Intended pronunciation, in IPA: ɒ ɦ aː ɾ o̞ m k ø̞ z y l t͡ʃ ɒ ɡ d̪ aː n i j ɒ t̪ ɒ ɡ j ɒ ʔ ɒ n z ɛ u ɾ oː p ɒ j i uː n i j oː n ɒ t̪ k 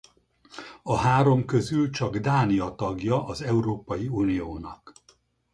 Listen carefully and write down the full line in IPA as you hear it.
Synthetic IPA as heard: ɒ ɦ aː ɾ o̞ m k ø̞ z y l t͡ʃ ɒ ɡ d̪ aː n i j ɒ t̪ ɒ ɡ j ɒ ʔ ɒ z ɛ u ɾ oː p ɒ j i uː n i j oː n ɒ k

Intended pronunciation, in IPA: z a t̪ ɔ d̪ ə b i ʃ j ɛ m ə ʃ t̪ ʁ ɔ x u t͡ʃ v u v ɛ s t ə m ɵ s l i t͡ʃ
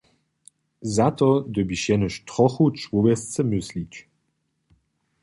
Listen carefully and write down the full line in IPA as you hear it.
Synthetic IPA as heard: z a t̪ ɔ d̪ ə b i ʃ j ɛ n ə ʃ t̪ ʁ ɔ x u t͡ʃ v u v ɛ s t͡s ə m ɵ s l i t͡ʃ

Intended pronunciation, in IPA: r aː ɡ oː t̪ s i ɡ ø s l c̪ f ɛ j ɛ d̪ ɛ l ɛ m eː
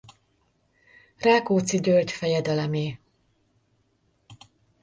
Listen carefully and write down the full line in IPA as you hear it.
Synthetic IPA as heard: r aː k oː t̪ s i ɟ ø l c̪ f ɛ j ɛ d̪ ɛ l ɛ m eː

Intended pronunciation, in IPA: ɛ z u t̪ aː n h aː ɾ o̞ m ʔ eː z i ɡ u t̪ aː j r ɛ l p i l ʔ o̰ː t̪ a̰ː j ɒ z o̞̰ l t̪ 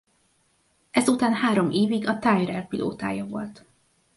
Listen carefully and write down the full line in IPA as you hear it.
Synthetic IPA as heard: ɛ z u t̪ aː n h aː ɾ o̞ m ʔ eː v i ɡ ɒ t̪ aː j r ɛ l p i l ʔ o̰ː t̪ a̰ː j ɒ v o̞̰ l t̪

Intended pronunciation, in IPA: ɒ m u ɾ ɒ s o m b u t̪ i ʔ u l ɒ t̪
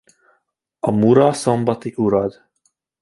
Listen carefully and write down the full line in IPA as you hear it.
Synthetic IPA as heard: ɒ m u ɾ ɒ s o m b ɒ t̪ i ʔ u ɾ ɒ d̪

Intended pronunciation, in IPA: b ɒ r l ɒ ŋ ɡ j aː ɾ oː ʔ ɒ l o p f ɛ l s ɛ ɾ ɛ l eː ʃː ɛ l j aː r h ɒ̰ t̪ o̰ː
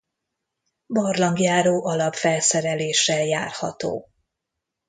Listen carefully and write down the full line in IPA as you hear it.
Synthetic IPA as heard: b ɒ r l ɒ ŋ ɡ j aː ɾ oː ʔ ɒ l ɒ p f ɛ l s ɛ ɾ ɛ l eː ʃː ɛ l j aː r h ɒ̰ t̪ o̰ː

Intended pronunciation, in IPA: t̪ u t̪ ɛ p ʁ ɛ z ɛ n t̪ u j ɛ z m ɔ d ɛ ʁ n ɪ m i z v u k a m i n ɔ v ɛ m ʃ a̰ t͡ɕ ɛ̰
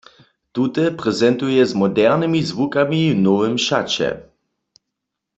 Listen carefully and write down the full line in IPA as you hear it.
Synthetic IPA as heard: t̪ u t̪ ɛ p ʁ ɛ z ɛ n t̪ u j ɛ z m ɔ d ɛ ʁ n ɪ m i z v u k a m i n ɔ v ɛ m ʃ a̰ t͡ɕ ɛ̰

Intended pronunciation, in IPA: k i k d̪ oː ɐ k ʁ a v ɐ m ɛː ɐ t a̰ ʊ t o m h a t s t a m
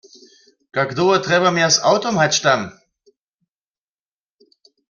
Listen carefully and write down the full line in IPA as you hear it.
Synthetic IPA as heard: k a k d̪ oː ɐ t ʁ ɛ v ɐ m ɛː ɐ s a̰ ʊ t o m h a t ʃ t a m

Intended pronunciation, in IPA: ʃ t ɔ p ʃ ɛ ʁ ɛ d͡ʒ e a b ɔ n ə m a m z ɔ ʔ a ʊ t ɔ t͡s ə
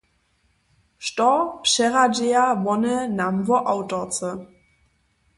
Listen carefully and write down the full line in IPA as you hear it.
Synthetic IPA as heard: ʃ t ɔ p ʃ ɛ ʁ a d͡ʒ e a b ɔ n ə n a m v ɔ ʔ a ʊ t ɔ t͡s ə

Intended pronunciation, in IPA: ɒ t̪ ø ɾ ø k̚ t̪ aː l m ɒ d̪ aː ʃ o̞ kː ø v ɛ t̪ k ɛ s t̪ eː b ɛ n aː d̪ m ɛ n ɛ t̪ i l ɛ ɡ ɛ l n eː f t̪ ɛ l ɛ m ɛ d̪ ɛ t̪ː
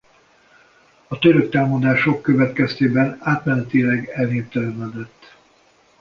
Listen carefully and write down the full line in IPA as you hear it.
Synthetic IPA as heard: ɒ t̪ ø ɾ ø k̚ t̪ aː l m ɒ d̪ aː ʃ o̞ kː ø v ɛ t̪ k ɛ s t̪ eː b ɛ n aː t̪ m ɛ n ɛ t̪ i l ɛ ɡ ɛ l n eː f t̪ ɛ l ɛ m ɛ d̪ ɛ t̪ː

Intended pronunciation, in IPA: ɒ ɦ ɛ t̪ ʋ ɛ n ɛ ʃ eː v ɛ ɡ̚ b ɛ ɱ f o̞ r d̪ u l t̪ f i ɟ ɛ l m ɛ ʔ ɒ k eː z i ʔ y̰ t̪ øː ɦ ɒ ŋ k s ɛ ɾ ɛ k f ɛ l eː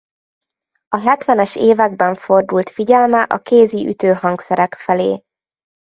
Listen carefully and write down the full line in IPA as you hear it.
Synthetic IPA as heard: ɒ ɦ ɛ t̪ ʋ ɛ n ɛ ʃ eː v ɛ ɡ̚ b ɛ ɱ f o̞ r d̪ u l t̪ f i ɟ ɛ l m ɛ ʔ ɒ k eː z i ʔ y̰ t̪ øː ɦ ɒ ŋ k s ɛ ɾ ɛ k f ɛ l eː

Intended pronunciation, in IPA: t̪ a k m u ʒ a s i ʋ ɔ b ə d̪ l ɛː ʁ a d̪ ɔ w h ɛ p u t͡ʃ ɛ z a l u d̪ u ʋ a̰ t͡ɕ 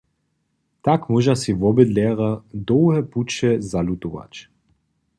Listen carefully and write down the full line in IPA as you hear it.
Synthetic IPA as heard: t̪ a k m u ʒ a s i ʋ ɔ b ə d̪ l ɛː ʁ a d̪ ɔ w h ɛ p u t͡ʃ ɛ z a l u t̪ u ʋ a̰ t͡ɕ

